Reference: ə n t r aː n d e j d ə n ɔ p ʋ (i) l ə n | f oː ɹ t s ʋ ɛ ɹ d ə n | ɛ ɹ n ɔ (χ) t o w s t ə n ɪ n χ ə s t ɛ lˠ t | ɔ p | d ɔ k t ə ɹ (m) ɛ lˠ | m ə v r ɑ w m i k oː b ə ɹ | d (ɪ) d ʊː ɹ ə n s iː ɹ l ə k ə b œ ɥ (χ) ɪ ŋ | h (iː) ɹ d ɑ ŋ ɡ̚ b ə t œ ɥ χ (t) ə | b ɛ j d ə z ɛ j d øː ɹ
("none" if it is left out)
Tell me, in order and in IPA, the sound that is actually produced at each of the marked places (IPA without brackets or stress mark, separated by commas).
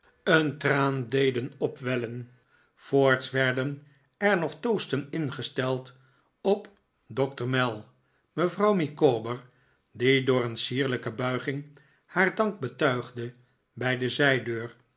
ɛ, χ, m, i, χ, aː, d